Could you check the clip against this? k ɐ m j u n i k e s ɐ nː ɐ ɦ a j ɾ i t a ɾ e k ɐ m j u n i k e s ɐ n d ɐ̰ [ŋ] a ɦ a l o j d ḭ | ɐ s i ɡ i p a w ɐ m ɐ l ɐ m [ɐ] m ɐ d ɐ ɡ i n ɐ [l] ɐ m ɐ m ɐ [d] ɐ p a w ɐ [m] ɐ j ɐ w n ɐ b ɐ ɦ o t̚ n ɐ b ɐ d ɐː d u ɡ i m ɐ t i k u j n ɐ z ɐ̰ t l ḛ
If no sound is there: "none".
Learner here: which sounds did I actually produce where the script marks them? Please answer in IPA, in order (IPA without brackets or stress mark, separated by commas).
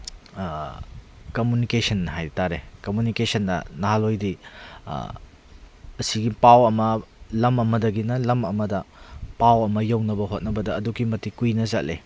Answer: n, ɐ, l, d, m